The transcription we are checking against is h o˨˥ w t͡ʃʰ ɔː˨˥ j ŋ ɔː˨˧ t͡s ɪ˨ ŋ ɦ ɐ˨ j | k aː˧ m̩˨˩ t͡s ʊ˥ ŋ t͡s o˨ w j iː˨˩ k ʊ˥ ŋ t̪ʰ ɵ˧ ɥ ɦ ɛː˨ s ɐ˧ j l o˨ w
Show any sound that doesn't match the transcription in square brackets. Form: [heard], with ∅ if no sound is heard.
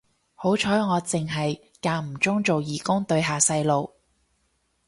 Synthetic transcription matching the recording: h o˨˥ w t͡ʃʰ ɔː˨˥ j ŋ ɔː˨˧ t͡s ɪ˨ ŋ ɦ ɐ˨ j | k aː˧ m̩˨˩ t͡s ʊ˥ ŋ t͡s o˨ w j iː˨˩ k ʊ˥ ŋ [t̪] ɵ˧ ɥ ɦ [aː˨] s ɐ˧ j l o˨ w